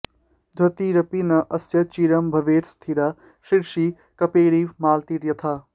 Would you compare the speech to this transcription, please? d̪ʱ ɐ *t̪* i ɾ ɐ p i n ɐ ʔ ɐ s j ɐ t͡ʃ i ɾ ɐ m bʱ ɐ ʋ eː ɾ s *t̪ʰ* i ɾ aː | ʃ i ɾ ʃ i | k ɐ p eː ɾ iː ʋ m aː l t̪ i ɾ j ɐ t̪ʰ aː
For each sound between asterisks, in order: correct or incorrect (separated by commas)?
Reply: correct, correct